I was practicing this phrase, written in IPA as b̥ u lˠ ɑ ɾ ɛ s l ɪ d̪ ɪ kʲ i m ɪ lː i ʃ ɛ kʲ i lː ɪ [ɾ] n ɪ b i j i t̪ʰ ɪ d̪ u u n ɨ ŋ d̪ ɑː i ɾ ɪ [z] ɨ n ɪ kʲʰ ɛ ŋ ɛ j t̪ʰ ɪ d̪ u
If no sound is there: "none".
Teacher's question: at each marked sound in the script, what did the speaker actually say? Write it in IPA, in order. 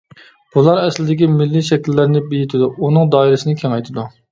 ɾ, s

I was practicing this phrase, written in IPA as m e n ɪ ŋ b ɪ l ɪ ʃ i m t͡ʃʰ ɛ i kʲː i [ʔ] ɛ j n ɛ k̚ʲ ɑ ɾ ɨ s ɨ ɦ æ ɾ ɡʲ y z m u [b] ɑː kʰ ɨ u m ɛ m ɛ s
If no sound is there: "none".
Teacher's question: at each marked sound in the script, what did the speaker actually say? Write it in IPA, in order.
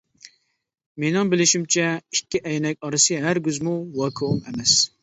ʔ, w

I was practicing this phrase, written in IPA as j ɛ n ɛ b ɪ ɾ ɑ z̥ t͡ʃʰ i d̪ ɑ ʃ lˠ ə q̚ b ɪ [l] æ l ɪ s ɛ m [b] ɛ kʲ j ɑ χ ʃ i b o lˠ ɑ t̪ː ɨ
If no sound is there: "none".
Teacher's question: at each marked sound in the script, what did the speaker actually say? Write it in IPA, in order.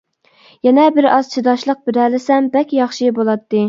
ɾ, b

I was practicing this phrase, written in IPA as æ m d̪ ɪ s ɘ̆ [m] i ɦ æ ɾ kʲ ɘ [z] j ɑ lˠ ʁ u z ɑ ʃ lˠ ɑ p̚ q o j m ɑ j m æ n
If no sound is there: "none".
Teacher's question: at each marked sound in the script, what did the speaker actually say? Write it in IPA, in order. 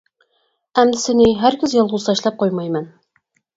n, z

